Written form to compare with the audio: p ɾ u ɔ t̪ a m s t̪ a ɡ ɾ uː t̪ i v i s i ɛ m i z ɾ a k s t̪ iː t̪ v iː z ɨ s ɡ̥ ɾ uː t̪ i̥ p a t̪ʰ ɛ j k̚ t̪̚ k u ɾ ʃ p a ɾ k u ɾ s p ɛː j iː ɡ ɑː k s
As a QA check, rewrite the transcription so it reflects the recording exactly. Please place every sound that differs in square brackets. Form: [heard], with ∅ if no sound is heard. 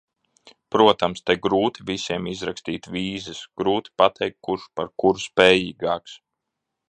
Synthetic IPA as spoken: p ɾ u ɔ t̪ a m s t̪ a ɡ ɾ uː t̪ i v i s i ɛ m i z ɾ a k s t̪ iː t̪ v iː z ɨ s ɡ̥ ɾ uː t̪ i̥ p a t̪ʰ ɛ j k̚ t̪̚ k u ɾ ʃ p a ɾ k u ɾ s p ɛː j iː ɡ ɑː k s